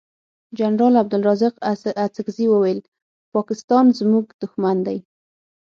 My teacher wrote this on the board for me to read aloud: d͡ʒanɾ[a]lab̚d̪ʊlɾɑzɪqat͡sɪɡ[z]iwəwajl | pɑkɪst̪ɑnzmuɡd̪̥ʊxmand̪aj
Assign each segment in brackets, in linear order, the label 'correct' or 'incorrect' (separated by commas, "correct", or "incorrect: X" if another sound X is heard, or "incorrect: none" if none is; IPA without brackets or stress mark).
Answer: incorrect: ɑ, correct